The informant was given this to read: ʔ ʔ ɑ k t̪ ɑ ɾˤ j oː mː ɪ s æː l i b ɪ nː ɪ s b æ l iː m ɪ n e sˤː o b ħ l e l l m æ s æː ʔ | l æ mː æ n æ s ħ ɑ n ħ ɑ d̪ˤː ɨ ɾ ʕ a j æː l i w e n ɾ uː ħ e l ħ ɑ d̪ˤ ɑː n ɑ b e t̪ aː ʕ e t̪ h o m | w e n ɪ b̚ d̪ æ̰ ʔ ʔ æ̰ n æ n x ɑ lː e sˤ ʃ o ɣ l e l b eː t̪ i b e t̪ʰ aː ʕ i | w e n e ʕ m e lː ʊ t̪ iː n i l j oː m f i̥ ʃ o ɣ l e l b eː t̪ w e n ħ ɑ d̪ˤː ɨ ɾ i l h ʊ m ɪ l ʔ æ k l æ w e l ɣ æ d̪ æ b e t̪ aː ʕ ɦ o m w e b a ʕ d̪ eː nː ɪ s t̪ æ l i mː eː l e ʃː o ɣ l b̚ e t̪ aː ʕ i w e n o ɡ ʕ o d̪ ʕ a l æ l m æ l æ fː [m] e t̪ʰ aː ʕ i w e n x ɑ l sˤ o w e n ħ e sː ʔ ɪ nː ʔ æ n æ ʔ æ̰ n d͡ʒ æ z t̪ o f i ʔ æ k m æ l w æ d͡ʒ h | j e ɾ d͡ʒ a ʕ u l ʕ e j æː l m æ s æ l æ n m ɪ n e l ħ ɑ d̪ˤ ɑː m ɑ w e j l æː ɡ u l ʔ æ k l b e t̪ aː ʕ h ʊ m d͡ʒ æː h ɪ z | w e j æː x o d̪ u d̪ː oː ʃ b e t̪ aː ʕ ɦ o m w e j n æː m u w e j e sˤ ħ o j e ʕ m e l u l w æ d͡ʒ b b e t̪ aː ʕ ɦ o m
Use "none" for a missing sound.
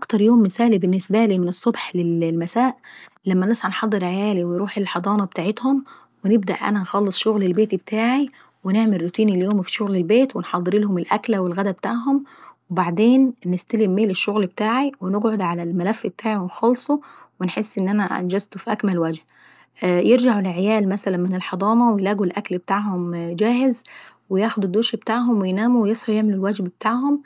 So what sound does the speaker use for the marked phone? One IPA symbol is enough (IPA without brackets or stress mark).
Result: b